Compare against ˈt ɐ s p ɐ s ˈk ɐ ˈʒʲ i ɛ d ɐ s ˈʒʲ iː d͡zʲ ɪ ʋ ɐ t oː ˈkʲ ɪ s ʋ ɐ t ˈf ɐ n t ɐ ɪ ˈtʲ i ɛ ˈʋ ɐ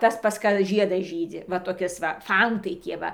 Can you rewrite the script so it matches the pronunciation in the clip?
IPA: ˈt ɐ s p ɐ s ˈk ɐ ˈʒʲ i ɛ d ɐ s ˈʒʲ iː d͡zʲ ɪ ʋ ɐ t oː ˈkʲ ɪ s ʋ ɐ ˈf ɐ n t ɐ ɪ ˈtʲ i ɛ ˈʋ ɐ